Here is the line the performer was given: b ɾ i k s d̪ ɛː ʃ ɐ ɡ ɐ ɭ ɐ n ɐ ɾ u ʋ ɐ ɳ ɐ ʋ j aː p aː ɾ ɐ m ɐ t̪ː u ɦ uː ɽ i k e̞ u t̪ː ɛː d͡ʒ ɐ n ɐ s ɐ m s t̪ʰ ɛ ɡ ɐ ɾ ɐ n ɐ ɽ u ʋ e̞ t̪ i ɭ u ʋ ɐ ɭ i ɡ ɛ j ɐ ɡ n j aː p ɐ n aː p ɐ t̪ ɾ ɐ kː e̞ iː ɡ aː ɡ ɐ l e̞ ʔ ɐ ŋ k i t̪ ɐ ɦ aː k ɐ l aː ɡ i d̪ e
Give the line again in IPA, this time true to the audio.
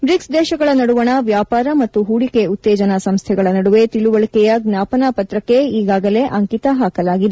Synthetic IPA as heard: b ɾ i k s d̪ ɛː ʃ ɐ ɡ ɐ ɭ ɐ n ɐ ɽ u ʋ ɐ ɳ ɐ ʋ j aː p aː ɾ ɐ m ɐ t̪ː u ɦ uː ɽ i k e̞ u t̪ː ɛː d͡ʒ ɐ n ɐ s ɐ m s t̪ʰ ɛ ɡ ɐ ɭ ɐ n ɐ ɽ u ʋ e̞ t̪ i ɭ u ʋ ɐ ɭ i k ɛ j ɐ ɡ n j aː p ɐ n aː p ɐ t̪ ɾ ɐ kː e̞ iː ɡ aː ɡ ɐ l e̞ ʔ ɐ ŋ k i t̪ ɐ ɦ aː k ɐ l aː ɡ i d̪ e